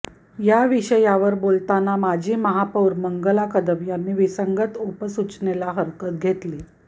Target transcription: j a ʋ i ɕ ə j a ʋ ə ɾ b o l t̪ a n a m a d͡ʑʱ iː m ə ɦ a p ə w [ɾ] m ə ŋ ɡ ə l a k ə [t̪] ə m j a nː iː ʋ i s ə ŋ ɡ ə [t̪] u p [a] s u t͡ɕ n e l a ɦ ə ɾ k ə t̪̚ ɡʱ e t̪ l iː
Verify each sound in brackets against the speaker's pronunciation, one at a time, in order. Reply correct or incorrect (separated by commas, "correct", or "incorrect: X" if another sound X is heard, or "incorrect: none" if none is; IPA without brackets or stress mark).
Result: correct, incorrect: d̪, correct, incorrect: ə